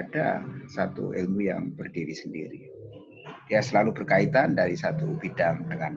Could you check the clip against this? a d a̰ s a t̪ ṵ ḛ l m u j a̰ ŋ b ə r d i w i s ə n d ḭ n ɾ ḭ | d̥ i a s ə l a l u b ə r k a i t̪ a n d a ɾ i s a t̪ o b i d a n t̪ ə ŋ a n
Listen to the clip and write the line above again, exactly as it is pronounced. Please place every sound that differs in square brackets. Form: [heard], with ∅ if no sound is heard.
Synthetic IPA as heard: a d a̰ s a t̪ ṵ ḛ l m u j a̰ ŋ b ə r d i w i s ə n d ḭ [∅] ɾ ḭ | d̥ i a s ə l a l u b ə r k a i t̪ a n d a ɾ i s a t̪ [u] b i d a [ŋ] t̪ ə ŋ a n